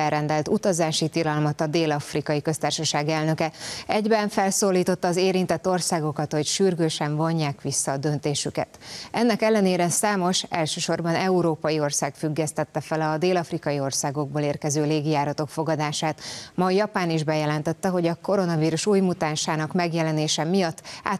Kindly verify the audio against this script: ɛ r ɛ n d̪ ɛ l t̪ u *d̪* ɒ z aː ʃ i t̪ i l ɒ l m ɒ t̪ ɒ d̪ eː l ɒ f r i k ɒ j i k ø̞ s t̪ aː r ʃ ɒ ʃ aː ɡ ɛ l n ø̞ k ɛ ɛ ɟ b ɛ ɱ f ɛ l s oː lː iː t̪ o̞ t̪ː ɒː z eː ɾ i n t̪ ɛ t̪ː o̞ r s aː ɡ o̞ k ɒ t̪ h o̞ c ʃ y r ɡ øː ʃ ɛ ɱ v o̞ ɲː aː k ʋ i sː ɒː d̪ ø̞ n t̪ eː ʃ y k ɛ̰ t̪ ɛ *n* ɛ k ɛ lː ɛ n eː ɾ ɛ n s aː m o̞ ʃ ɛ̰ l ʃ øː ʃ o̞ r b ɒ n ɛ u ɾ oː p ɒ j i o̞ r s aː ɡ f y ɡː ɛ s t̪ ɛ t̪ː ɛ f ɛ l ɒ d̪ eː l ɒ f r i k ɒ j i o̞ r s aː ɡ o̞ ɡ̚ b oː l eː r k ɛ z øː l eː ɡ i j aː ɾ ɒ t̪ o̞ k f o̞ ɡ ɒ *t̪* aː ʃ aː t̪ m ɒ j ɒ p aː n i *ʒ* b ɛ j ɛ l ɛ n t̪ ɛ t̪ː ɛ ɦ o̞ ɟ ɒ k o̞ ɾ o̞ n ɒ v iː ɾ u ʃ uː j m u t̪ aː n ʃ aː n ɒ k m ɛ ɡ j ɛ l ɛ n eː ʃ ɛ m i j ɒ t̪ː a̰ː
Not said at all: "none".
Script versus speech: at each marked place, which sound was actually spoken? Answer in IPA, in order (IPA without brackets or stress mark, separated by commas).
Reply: t̪, nː, d̪, ʒ